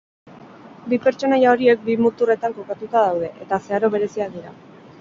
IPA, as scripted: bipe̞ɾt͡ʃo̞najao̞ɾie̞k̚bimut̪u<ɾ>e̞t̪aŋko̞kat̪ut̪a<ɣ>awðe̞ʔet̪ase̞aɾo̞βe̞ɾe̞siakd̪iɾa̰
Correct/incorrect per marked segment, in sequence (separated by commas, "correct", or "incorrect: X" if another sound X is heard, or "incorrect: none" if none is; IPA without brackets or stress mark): incorrect: r, incorrect: ð